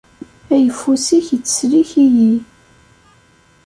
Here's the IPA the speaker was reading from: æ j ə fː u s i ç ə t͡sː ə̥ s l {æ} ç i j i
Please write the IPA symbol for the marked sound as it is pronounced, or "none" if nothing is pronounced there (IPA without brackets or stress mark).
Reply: i